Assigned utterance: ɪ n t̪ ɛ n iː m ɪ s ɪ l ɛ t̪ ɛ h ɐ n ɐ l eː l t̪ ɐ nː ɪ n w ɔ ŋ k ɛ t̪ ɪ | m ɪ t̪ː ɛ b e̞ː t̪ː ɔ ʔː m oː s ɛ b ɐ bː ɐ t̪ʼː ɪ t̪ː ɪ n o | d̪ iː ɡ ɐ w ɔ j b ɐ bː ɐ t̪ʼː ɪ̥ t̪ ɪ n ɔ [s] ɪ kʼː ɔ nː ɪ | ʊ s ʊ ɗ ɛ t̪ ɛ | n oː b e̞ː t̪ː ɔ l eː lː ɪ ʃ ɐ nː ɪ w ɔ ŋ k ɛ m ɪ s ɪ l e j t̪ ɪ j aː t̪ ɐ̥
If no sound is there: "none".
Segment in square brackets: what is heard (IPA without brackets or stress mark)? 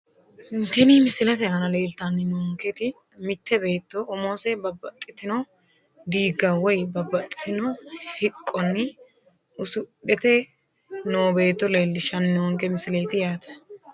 h